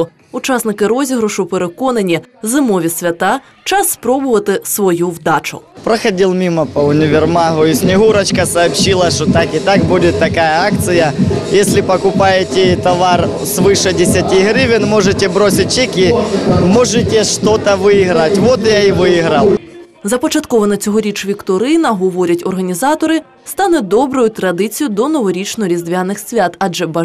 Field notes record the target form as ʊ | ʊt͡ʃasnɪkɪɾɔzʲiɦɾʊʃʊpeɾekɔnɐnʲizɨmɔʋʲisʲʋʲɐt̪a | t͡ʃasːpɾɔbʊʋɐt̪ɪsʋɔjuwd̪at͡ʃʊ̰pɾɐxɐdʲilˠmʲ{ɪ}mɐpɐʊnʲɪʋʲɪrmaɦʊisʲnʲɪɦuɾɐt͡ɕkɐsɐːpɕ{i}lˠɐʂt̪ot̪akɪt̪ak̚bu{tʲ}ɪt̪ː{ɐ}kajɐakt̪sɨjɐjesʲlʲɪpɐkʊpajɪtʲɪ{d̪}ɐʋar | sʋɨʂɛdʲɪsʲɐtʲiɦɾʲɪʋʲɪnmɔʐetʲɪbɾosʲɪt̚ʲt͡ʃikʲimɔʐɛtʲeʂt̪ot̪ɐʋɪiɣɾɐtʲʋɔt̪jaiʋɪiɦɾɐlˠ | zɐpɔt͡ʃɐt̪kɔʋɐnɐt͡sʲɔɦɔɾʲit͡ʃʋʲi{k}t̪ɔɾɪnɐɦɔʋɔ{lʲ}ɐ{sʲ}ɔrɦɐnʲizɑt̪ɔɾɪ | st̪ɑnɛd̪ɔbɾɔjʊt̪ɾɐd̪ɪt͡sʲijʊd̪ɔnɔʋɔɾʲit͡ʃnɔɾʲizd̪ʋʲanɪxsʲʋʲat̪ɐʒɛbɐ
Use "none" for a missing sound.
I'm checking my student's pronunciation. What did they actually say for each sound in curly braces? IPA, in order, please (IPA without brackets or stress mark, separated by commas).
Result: i, i, dʲ, ɐ, t̪, k, ɾʲ, tʲ